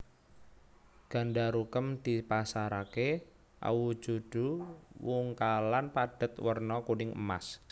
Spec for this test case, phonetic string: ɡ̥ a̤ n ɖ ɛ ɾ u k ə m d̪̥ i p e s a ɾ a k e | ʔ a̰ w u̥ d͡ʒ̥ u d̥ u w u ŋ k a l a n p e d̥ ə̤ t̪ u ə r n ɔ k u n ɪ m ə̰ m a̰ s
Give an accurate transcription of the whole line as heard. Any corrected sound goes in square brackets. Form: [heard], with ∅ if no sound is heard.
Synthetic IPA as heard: ɡ̥ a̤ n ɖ [a] ɾ u k ə m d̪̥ i p [a] s a ɾ a k e | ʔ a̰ w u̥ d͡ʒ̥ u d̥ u w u ŋ k a l a n p [a] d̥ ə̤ t̪ [w] ə r n ɔ k u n ɪ [ŋ] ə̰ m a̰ s